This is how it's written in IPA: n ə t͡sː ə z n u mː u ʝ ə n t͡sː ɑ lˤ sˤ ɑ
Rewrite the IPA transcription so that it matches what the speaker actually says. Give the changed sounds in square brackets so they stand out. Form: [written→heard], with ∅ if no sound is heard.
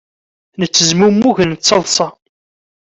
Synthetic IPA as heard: n ə t͡sː ə z [n→m] u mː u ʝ ə n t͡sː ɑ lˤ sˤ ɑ